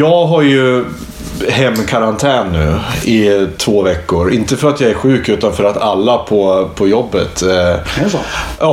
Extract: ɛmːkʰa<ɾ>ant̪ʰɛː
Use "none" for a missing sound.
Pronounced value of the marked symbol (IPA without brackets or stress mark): ɾ